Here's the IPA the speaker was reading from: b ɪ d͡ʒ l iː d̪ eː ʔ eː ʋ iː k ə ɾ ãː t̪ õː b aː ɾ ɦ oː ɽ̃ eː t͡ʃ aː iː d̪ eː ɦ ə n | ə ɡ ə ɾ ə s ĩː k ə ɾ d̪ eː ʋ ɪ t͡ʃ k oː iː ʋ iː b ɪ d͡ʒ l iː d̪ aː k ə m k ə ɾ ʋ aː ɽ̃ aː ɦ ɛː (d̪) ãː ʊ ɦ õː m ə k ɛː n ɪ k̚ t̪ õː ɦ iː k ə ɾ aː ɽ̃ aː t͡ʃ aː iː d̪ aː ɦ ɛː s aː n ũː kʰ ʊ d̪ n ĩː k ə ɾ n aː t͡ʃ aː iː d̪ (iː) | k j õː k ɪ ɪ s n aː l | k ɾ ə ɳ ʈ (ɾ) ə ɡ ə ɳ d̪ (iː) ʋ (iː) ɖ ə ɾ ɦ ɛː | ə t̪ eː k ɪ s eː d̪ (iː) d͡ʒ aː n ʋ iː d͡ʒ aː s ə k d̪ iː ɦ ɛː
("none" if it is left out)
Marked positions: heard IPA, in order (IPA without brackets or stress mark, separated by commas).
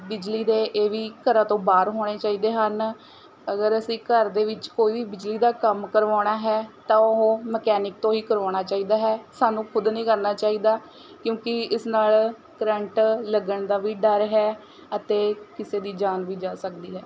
t̪, aː, l, aː, iː, iː